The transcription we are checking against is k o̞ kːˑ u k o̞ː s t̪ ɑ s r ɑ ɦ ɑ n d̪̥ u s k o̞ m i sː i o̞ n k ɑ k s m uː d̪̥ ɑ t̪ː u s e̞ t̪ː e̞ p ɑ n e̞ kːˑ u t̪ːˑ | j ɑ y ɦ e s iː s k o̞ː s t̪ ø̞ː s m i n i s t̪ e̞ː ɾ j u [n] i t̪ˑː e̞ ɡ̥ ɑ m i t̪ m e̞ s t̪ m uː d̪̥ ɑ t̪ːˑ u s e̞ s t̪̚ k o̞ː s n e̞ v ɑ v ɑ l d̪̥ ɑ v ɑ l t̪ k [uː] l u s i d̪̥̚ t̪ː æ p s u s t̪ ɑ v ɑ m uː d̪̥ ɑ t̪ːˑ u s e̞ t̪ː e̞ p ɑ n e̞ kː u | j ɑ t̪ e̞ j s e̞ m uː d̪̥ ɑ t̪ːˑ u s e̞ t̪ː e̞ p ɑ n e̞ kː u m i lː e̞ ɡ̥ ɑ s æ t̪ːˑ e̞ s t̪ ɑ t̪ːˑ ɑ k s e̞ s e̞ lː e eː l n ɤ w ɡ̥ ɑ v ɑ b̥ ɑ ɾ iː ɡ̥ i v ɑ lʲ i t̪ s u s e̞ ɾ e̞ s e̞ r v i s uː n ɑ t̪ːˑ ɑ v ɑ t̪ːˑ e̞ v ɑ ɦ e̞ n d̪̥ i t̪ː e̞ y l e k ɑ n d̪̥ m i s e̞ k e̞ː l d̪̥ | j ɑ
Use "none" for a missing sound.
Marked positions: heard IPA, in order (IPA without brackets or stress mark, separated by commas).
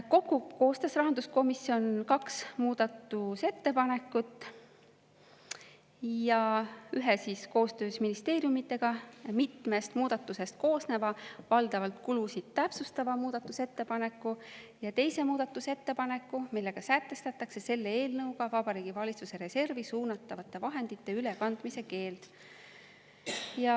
m, u